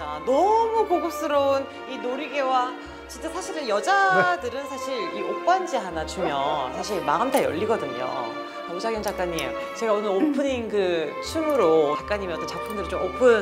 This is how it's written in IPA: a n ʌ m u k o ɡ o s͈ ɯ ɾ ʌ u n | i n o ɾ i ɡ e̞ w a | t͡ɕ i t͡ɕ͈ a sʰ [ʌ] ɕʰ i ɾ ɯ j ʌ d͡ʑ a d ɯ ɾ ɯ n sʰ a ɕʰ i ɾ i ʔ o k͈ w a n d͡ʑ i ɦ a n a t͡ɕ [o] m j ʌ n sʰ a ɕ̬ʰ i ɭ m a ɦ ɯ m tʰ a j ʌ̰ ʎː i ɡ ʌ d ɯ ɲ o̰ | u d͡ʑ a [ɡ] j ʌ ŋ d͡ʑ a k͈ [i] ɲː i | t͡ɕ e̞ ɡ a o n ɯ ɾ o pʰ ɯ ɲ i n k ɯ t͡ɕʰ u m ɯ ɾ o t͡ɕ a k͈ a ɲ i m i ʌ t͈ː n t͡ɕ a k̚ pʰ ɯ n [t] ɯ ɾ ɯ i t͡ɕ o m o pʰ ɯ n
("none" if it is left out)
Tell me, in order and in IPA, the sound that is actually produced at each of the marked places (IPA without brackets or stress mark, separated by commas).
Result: a, u, ɡ, a, d